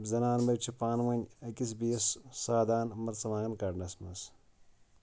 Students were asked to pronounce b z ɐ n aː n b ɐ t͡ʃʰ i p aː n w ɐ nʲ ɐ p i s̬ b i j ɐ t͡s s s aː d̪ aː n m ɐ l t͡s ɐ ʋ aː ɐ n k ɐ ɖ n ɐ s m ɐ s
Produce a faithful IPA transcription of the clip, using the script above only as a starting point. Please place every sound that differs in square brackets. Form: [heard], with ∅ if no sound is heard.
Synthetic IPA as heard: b z ɐ n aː n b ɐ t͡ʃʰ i p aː n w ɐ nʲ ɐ [k] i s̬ b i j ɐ [∅] s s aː d̪ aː n m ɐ [ɾ] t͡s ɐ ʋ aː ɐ n k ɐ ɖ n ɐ s m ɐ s